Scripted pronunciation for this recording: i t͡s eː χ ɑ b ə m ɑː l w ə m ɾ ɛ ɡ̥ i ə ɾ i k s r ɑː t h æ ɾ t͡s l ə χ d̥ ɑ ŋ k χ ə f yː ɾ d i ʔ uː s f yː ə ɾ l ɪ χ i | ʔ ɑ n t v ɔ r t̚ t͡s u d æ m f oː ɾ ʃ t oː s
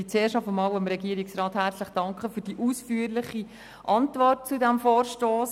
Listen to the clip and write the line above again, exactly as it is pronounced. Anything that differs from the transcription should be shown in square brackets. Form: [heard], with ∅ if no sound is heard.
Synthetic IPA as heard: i t͡s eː [ʃ] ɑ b ə m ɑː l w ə m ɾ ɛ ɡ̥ i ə ɾ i k s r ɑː t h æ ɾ t͡s l ə χ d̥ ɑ ŋ k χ ə f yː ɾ d i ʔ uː s f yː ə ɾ l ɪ χ i | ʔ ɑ n t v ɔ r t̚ t͡s u d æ m f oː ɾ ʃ t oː s

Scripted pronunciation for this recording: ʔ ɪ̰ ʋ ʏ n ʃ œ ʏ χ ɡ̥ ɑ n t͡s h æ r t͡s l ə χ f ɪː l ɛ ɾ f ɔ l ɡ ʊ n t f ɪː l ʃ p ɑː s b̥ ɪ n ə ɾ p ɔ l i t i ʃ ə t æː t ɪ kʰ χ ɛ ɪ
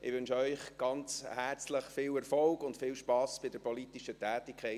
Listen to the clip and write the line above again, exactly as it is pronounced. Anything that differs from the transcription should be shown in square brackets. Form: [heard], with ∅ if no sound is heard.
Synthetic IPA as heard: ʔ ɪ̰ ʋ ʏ n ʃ œ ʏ χ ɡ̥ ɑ n t͡s h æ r t͡s l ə χ f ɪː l ɛ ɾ f ɔ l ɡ ʊ n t f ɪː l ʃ p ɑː s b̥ ɪ [d] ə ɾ p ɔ l i t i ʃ ə t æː t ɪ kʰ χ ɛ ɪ

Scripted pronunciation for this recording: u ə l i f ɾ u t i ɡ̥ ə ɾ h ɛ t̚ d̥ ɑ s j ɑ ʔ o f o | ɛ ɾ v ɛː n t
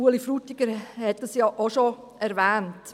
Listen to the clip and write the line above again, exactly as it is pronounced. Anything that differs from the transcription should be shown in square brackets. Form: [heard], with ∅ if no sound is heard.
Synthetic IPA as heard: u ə l i f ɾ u t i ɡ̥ ə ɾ h ɛ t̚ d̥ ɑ s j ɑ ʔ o [ʃ] o | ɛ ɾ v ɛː n t

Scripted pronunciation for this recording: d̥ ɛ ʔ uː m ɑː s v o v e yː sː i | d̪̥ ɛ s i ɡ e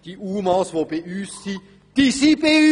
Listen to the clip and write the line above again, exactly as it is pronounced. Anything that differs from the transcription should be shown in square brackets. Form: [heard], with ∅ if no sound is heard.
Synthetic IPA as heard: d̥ [i] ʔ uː m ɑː s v o [b] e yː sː i | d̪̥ [i] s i [b] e

